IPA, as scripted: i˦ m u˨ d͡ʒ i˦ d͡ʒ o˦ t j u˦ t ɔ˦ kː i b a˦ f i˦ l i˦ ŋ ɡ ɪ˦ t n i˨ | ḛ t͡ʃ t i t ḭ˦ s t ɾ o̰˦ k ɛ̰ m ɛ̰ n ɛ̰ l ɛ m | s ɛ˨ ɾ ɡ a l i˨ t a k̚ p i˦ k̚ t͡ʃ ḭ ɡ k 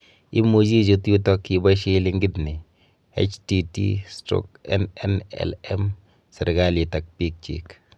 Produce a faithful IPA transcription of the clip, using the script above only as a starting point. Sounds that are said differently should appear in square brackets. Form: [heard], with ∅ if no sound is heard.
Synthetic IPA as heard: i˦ m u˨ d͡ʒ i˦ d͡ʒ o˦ t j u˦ t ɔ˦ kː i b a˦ [ʃ] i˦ l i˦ ŋ ɡ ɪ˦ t n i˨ | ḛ t͡ʃ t i t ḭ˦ s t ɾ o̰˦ k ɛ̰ [n] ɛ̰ n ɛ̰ l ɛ m | s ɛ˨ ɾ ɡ a l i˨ t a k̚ p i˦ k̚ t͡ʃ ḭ [∅] k